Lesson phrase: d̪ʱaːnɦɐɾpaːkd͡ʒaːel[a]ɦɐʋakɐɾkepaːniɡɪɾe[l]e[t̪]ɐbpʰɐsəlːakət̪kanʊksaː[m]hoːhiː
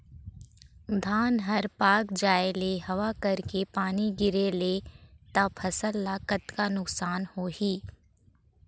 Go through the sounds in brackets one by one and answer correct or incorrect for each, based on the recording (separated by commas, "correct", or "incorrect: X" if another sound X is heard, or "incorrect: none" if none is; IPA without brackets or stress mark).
incorrect: e, correct, correct, incorrect: n